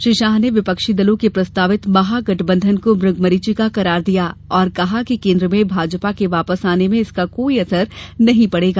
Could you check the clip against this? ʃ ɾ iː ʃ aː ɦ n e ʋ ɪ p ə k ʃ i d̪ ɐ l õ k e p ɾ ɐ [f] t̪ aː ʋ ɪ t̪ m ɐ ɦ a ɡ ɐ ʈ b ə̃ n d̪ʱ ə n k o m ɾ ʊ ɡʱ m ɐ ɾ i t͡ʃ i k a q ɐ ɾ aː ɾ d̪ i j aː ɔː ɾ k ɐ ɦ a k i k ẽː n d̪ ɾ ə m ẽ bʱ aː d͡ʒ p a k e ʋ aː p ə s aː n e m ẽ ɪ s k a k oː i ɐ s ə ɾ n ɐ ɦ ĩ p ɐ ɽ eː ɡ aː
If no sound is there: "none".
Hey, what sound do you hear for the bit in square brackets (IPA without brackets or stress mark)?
s